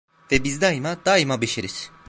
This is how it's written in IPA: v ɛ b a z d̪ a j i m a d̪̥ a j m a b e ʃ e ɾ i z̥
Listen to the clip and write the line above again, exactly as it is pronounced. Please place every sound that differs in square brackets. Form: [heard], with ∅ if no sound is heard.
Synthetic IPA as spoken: v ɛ b [i] z d̪ a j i m a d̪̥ a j m a b e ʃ e ɾ i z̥